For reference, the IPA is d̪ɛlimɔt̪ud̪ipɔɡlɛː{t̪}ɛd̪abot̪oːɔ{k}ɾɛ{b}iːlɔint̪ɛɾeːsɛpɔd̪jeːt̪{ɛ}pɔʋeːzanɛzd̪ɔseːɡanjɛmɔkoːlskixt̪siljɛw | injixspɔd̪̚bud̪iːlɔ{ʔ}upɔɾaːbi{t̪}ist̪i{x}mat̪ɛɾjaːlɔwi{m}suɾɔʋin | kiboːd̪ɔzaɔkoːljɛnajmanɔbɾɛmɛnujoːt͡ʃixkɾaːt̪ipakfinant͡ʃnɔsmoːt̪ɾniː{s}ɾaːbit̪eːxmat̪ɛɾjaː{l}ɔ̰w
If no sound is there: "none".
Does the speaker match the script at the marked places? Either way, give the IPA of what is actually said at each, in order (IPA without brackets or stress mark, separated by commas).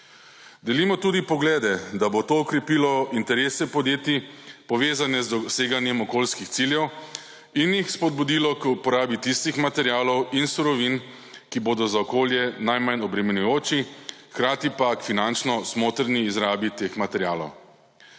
d̪, k, p, i, k, t̪, x, n, z, l